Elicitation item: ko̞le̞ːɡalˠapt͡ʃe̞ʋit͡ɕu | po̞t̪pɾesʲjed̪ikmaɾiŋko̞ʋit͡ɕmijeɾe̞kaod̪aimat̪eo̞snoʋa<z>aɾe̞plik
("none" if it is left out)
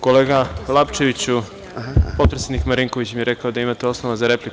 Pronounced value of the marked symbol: z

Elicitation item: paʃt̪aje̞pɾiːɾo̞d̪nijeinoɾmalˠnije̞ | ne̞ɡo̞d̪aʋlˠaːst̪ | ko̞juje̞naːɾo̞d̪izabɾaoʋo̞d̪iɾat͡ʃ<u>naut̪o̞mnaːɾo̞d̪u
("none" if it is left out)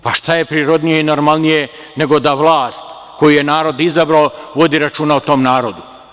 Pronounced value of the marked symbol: uː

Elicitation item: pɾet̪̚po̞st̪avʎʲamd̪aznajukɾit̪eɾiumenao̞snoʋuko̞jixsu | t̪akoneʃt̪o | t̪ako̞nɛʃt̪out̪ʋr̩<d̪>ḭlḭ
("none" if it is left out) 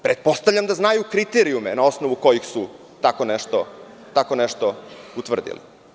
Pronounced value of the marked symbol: d̪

